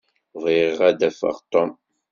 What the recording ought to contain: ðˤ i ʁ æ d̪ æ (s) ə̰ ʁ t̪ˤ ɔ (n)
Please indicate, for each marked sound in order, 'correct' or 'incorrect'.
incorrect: f, incorrect: m

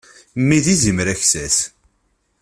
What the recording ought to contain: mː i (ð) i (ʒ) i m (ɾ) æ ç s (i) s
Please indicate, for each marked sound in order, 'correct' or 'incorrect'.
correct, incorrect: z, correct, incorrect: æ

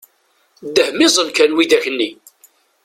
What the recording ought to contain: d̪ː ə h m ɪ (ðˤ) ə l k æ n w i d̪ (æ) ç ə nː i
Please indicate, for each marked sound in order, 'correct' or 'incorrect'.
incorrect: zˤ, correct

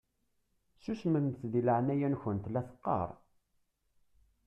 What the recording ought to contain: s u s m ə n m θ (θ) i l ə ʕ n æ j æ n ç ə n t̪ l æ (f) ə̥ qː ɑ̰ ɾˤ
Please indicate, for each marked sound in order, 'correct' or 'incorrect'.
incorrect: ð, incorrect: θ

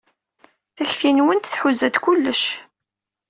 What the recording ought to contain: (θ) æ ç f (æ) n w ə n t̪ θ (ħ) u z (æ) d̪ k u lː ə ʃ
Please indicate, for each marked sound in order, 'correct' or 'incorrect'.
correct, incorrect: i, correct, correct

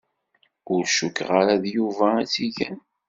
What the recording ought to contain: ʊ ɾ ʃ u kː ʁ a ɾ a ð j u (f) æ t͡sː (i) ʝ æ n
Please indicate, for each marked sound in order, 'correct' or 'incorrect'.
incorrect: v, correct

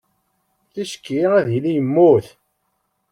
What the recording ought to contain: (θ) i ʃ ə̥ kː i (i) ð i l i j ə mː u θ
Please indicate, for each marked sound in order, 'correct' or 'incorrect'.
correct, incorrect: æ

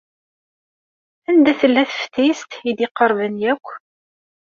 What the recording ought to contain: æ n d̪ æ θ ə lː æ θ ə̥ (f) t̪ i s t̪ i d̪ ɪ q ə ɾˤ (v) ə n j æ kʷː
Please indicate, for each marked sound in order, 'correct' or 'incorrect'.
correct, correct

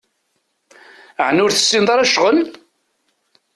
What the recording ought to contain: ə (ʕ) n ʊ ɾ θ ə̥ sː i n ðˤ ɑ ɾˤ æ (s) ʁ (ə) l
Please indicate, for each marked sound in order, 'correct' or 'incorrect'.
correct, incorrect: ʃ, correct

